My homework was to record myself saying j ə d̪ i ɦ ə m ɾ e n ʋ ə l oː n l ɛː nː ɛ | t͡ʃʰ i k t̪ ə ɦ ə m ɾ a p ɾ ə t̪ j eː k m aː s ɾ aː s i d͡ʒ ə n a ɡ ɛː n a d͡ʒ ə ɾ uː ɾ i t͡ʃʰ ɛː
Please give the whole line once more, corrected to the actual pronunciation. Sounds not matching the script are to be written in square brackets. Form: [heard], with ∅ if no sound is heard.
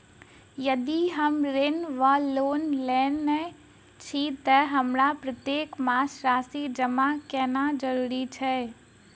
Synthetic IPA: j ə d̪ i ɦ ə m ɾ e n ʋ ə l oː n l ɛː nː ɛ | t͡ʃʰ i [∅] t̪ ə ɦ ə m ɾ a p ɾ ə t̪ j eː k m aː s ɾ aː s i d͡ʒ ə [m] a [k] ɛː n a d͡ʒ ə ɾ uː ɾ i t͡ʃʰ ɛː